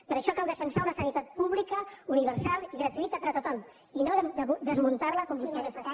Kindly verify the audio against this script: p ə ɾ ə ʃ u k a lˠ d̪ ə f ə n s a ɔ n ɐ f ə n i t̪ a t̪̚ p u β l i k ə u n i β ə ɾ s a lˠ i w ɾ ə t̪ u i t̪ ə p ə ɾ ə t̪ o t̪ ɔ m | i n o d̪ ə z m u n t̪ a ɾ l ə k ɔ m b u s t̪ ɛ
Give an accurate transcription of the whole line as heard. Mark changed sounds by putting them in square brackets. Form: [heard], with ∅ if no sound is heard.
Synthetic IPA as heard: p ə ɾ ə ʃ [ɔ] k a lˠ d̪ ə f ə n s a [u] n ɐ [s] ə n i t̪ a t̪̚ p u β l i k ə u n i β ə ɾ s a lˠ i [ɣ] ɾ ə t̪ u i t̪ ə p ə ɾ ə t̪ o t̪ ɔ m | i n o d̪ ə z m u n t̪ a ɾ l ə k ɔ m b u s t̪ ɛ